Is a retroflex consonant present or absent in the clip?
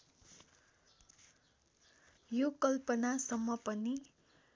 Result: absent